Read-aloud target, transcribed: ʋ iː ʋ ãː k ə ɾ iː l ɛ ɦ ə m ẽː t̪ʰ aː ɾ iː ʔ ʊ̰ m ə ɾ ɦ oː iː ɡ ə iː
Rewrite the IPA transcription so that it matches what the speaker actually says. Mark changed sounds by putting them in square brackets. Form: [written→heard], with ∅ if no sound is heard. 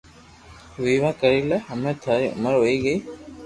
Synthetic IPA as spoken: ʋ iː ʋ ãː k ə ɾ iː l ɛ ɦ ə m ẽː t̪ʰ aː ɾ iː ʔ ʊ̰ m ə ɾ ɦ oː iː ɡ ə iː

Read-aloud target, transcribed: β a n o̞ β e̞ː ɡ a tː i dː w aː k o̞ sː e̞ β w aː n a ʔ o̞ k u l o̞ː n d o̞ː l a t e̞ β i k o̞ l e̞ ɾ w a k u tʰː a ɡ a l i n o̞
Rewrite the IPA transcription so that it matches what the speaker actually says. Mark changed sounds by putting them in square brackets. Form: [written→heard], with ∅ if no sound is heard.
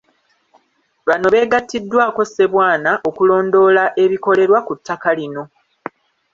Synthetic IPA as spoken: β a n o̞ β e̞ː ɡ a tː i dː w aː k o̞ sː e̞ β w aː n a ʔ o̞ k u l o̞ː n d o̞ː l a [t→ʔ] e̞ β i k o̞ l e̞ ɾ w a k u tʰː a [ɡ→k] a l i n o̞

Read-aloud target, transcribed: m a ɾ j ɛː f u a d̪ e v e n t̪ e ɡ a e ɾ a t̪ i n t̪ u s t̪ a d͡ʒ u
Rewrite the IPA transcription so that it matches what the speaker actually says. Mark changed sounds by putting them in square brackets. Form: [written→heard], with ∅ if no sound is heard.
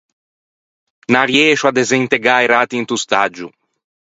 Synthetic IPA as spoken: [m→n] a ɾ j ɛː [f→ʃ] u a d̪ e [v→z] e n t̪ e ɡ a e ɾ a t̪ i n t̪ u s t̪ a d͡ʒ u

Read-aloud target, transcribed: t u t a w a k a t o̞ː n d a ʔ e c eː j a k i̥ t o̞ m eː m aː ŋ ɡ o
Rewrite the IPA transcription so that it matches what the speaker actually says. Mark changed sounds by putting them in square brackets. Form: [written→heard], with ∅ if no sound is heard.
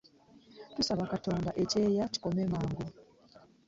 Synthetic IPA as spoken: t u [t→s] a [w→β] a k a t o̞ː n d a ʔ e c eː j a [k→c] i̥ [t→k] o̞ m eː m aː ŋ ɡ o

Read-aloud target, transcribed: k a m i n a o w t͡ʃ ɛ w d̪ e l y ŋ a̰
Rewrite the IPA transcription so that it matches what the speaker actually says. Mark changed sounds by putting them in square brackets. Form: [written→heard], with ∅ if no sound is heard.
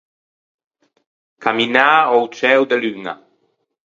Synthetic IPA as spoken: k a m i n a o w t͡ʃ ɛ w d̪ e l y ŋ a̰

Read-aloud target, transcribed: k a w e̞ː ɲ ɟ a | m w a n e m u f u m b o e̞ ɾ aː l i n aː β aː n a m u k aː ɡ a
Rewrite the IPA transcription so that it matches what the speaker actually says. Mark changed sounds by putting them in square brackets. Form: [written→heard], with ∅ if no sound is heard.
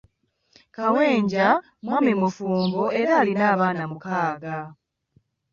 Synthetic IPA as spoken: k a w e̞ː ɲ ɟ a | m w a [n→m] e m u f [u→uː] m b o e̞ ɾ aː l i n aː β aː n a m u k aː ɡ a

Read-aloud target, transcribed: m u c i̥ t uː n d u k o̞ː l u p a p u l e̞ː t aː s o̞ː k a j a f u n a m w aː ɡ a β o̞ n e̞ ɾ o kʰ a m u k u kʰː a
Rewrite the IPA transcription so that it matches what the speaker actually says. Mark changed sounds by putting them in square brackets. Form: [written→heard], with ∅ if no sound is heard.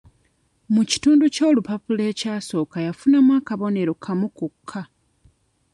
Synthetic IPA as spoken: m u c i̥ t uː n d u [k→c] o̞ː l u p a p u l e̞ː [t→c] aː s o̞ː k a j a f u n a m w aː [ɡ→k] a β o̞ n e̞ ɾ o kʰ a m u k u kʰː a

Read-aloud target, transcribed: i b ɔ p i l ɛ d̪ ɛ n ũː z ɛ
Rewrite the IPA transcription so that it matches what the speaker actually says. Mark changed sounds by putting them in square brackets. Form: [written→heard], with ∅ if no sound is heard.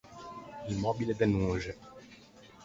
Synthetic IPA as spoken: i [b→m] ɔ [p→b] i l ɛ d̪ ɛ n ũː [z→ʒ] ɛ

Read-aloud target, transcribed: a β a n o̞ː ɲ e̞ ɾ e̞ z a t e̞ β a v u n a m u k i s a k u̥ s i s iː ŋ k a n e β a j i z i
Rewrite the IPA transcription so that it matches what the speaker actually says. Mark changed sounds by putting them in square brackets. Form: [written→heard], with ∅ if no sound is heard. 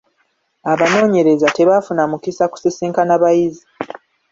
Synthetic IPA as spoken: a β a n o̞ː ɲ e̞ ɾ e̞ z a t e̞ β a [v→f] u n a m u k i s a k u̥ s i s iː ŋ k a n [e→a] β a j i z i

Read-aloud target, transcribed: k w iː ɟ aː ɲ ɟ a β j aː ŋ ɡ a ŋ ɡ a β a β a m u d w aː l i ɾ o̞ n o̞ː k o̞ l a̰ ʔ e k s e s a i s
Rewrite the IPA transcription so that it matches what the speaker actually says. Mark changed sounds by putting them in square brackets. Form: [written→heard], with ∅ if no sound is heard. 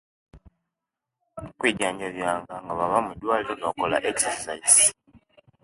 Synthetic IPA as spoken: k w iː ɟ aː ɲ ɟ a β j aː ŋ ɡ a ŋ ɡ a β a β a m u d w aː l i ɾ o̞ n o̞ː k o̞ l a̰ ʔ e k s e s a i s

